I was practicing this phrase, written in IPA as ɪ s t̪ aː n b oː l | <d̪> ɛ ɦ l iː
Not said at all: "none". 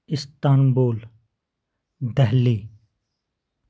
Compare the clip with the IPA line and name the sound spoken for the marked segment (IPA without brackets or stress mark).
d̪